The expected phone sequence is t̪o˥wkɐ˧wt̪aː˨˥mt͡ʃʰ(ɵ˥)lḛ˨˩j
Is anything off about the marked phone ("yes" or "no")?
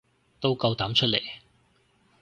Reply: no